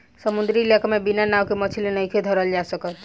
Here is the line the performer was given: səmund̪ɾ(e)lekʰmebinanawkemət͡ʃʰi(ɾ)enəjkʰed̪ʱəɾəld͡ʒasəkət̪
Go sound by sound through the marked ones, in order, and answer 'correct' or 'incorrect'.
incorrect: i, incorrect: l

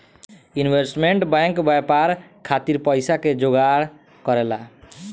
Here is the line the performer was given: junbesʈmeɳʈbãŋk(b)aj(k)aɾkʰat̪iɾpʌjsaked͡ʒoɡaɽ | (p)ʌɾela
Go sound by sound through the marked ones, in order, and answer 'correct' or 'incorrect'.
correct, incorrect: p, incorrect: k

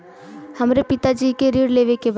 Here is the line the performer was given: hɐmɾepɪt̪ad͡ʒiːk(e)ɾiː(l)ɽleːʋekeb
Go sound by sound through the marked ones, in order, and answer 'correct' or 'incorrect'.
correct, incorrect: none

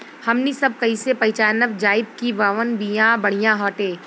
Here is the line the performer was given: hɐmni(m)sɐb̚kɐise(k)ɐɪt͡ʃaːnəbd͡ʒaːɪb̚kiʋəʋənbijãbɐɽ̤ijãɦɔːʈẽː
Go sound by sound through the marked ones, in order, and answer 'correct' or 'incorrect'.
incorrect: none, incorrect: p

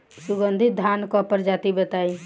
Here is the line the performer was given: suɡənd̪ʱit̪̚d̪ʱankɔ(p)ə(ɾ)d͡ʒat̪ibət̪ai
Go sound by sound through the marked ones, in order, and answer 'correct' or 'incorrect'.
correct, correct

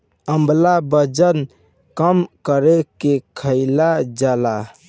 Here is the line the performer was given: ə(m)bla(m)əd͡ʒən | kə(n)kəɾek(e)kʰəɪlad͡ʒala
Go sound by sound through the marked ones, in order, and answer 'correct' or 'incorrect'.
correct, incorrect: b, incorrect: m, correct

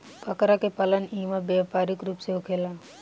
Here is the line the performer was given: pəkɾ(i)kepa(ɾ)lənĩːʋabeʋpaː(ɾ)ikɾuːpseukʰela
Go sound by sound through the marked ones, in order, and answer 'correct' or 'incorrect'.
incorrect: a, incorrect: none, correct

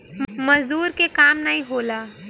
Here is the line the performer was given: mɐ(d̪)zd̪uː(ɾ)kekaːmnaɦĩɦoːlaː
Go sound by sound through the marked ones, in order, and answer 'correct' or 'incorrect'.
incorrect: none, correct

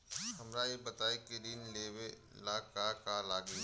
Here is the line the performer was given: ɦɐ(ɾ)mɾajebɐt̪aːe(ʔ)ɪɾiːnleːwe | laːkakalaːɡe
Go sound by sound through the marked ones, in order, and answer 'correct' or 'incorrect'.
incorrect: none, incorrect: k

